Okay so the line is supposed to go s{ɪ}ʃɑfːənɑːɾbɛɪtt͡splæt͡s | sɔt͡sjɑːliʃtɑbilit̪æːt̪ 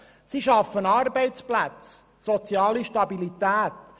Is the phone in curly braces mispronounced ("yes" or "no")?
yes